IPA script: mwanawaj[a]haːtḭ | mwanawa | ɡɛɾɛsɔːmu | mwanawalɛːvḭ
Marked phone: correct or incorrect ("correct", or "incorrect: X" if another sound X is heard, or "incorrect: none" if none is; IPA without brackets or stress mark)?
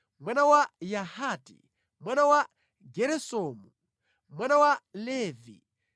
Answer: correct